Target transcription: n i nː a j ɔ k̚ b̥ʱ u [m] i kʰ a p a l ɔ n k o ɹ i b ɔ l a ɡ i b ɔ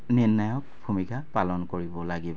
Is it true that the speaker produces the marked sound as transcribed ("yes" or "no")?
yes